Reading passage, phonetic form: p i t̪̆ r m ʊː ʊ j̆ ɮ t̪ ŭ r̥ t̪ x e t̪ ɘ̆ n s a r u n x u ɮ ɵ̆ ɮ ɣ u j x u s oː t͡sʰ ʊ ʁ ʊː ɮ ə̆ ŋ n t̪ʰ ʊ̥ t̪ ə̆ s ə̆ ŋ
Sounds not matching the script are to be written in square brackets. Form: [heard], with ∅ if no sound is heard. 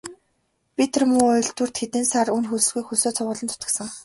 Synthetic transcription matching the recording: p i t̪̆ r m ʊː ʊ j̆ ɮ t̪ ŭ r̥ t̪ x e t̪ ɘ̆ n s a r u n x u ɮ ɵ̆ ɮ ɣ u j x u s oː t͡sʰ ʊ ʁ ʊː ɮ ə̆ [∅] n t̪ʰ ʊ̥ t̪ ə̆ s ə̆ ŋ